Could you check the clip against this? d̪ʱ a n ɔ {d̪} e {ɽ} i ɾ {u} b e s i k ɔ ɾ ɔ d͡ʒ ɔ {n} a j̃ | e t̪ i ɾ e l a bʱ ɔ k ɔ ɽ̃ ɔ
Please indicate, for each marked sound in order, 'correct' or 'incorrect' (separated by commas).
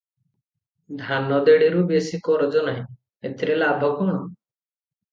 correct, correct, correct, correct